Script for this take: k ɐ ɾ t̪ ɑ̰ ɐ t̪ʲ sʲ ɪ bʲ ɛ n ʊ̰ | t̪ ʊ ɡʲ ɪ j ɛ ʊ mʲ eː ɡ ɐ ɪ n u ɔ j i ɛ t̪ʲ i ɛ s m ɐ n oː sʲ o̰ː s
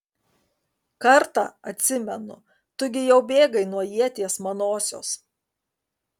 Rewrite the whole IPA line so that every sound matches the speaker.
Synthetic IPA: k ɐ ɾ t̪ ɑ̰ ɐ t̪ʲ sʲ ɪ mʲ ɛ n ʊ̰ | t̪ ʊ ɡʲ ɪ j ɛ ʊ bʲ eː ɡ ɐ ɪ n u ɔ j i ɛ t̪ʲ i ɛ s m ɐ n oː sʲ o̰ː s